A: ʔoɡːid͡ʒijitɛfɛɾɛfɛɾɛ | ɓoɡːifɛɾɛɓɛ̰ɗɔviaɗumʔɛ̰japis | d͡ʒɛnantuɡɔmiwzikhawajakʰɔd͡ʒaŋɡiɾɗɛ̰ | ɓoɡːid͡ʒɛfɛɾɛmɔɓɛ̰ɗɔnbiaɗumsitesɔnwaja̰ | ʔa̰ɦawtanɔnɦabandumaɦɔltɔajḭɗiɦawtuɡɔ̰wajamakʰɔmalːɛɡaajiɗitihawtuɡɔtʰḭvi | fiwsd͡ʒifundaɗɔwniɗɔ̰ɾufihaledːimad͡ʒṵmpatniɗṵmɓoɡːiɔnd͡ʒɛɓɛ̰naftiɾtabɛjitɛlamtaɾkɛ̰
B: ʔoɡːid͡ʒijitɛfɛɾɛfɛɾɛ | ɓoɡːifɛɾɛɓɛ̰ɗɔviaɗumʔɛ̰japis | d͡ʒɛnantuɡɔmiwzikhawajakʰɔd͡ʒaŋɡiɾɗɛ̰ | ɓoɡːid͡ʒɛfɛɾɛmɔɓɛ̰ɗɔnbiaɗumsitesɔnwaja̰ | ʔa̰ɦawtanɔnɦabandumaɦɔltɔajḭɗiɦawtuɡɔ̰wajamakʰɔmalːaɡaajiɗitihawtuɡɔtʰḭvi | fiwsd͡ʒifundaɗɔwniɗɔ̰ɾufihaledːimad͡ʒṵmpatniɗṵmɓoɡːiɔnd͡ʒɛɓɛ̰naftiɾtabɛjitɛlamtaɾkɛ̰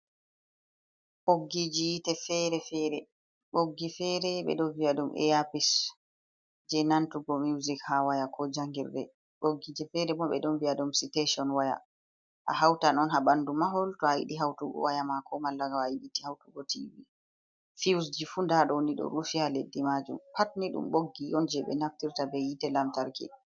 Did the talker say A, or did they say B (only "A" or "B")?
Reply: B